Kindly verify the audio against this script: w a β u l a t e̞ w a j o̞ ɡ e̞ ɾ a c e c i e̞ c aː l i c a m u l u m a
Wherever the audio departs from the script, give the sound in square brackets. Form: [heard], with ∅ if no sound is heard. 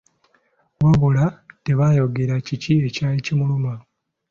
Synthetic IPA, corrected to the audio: w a β u l a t e̞ [β] a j o̞ ɡ e̞ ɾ a c [i] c i e̞ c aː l i c [i] m u l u m a